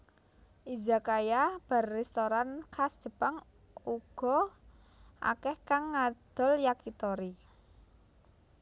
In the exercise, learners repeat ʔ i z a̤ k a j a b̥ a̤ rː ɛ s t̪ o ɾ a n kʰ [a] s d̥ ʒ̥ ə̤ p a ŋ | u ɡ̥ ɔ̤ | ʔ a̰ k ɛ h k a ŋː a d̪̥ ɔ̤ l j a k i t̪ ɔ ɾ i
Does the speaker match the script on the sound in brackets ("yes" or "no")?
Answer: yes